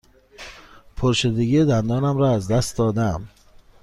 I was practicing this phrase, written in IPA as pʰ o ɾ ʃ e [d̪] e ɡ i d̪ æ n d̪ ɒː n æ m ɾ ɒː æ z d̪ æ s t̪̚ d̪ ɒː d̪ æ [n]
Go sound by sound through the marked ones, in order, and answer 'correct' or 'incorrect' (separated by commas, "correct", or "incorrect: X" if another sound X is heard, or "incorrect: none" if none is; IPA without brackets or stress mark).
correct, incorrect: m